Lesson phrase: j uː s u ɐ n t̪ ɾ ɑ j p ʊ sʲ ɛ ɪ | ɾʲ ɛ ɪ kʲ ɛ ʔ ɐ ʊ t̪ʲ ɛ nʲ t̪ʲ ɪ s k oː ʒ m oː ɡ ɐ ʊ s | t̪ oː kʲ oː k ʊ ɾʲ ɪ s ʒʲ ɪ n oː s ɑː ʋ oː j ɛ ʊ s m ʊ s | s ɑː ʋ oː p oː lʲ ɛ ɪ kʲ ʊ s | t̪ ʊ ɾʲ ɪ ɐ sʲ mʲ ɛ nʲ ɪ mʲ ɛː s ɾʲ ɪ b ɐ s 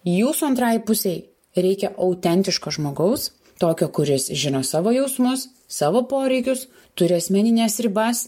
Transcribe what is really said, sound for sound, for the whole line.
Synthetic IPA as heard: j uː s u ɐ n t̪ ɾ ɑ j p ʊ sʲ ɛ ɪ | ɾʲ ɛ ɪ kʲ ɛ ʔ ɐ ʊ t̪ʲ ɛ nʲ t̪ʲ ɪ ʃ k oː ʒ m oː ɡ ɐ ʊ s | t̪ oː kʲ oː k ʊ ɾʲ ɪ s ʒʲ ɪ n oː s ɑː ʋ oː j ɛ ʊ s m ʊ s | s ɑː ʋ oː p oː ɾʲ ɛ ɪ kʲ ʊ s | t̪ ʊ ɾʲ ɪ ɐ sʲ mʲ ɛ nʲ ɪ nʲ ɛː s ɾʲ ɪ b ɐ s

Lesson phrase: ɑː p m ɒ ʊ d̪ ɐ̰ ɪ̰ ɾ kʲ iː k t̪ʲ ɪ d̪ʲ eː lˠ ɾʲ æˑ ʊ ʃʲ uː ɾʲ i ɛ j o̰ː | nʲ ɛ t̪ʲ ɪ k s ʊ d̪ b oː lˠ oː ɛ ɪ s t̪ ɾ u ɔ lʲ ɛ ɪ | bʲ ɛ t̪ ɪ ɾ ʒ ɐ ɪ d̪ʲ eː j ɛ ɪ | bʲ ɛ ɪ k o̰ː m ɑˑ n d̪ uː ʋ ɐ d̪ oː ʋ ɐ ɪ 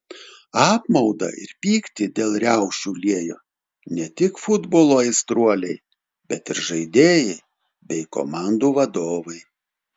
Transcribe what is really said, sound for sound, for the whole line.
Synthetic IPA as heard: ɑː p m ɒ ʊ d̪ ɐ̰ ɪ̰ ɾ pʲ iː k t̪ʲ ɪ d̪ʲ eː lˠ ɾʲ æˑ ʊ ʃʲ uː lʲ i ɛ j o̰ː | nʲ ɛ t̪ʲ ɪ k f ʊ d̪ b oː lˠ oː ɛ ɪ s t̪ ɾ u ɔ lʲ ɛ ɪ | bʲ ɛ t̪ ɪ ɾ ʒ ɐ ɪ d̪ʲ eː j ɛ ɪ | bʲ ɛ ɪ k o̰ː m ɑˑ n d̪ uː ʋ ɐ d̪ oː ʋ ɐ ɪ

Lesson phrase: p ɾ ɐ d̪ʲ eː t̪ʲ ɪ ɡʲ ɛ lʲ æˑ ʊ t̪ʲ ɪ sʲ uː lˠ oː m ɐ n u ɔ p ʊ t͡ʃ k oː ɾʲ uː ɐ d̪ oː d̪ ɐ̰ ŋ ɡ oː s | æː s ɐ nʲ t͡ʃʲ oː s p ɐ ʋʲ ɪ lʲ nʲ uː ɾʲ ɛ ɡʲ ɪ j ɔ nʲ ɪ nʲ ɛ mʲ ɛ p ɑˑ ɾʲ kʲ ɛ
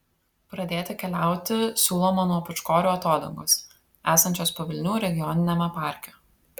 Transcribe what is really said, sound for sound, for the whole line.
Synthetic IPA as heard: p ɾ ɐ d̪ʲ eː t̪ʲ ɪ kʲ ɛ lʲ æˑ ʊ t̪ʲ ɪ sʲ uː lˠ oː m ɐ n u ɔ p ʊ t͡ʃ k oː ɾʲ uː ɐ t̪ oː d̪ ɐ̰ ŋ ɡ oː s | æː s ɐ nʲ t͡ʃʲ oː s p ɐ ʋʲ ɪ lʲ nʲ uː ɾʲ ɛ ɡʲ ɪ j ɔ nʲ ɪ nʲ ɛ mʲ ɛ p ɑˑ ɾʲ kʲ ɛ

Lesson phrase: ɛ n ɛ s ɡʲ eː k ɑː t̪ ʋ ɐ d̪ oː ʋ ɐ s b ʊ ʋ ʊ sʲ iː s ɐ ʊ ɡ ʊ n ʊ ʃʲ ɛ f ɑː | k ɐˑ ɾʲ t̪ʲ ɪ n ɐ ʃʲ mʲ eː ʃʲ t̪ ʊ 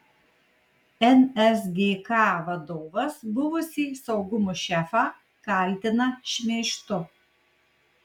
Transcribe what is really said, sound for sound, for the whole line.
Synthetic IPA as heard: ɛ n ɛ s ɡʲ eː k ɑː ʋ ɐ d̪ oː ʋ ɐ s b ʊ ʋ ʊ sʲ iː s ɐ ʊ ɡ ʊ m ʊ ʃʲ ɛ f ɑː | k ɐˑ lʲ t̪ʲ ɪ n ɐ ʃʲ mʲ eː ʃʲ t̪ ʊ

